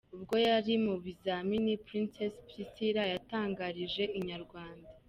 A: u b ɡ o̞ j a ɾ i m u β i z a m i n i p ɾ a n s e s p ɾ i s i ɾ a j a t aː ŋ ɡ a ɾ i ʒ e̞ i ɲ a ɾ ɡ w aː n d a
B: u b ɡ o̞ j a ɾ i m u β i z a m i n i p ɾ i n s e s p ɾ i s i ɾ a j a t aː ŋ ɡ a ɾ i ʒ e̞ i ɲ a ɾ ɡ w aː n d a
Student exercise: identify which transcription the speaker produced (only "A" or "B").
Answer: B